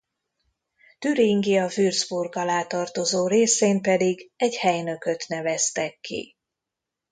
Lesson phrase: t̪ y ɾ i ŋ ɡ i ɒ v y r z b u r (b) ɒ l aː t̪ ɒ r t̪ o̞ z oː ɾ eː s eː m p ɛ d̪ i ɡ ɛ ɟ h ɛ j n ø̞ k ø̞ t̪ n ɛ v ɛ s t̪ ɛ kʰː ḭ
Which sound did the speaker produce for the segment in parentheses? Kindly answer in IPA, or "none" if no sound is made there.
ɡ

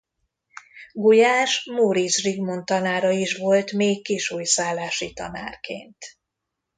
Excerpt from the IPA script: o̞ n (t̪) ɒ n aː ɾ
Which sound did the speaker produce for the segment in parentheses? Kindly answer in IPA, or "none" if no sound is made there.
t̪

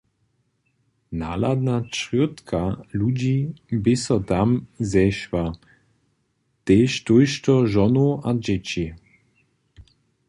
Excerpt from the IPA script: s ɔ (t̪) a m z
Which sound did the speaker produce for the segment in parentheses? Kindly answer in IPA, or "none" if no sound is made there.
t̪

